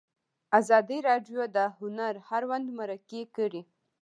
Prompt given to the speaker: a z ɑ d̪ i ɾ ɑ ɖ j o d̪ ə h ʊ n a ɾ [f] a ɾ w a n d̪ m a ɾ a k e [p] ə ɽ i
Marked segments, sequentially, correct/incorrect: incorrect: h, incorrect: k

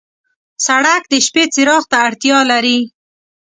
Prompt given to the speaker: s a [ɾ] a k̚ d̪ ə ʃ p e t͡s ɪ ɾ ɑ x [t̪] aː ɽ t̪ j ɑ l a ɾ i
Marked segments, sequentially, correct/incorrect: incorrect: ɽ, correct

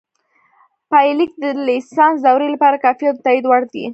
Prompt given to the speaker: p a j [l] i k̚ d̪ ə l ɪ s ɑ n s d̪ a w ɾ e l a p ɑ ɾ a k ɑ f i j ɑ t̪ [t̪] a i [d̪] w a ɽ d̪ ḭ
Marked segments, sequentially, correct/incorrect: correct, correct, correct

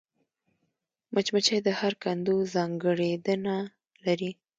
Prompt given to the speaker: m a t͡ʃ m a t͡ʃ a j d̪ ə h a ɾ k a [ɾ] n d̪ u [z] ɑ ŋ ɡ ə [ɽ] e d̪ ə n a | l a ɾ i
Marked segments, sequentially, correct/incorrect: incorrect: none, correct, correct

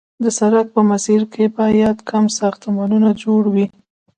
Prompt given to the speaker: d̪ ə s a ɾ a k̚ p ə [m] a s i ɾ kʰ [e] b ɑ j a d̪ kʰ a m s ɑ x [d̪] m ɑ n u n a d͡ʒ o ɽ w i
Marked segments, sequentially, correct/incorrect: correct, correct, incorrect: t̪

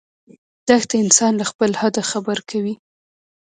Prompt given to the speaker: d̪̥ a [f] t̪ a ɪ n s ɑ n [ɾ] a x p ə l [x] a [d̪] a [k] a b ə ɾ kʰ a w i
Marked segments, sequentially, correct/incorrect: incorrect: x, incorrect: l, incorrect: h, correct, incorrect: x

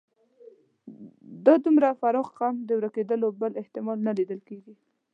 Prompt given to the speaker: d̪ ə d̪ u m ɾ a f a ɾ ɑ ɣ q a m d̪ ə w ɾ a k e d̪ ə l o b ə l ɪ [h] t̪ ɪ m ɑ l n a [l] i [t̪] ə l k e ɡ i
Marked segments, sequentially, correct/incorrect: correct, correct, incorrect: d̪

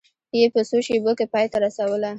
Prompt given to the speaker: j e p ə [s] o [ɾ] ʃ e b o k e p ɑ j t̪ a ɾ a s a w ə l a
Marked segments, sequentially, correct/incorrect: correct, incorrect: none

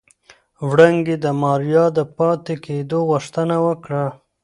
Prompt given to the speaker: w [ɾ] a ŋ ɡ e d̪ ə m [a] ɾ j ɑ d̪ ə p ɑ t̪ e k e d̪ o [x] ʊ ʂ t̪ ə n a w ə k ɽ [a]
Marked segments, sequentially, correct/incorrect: incorrect: ɽ, incorrect: ɑ, incorrect: ɣ, correct

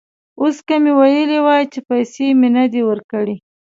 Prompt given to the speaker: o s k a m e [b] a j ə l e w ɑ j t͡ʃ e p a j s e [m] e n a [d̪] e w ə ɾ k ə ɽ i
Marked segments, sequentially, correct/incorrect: incorrect: w, correct, correct

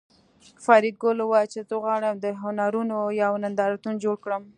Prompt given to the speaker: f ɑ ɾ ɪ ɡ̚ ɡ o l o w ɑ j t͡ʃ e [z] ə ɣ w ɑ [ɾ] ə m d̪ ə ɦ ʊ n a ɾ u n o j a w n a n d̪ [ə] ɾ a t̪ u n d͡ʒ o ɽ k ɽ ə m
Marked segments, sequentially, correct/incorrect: correct, incorrect: ɽ, incorrect: ɑ

